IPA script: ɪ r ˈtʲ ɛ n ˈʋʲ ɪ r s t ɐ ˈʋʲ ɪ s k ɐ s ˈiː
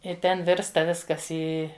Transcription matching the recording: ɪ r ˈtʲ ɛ n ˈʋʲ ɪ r s t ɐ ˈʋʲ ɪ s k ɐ s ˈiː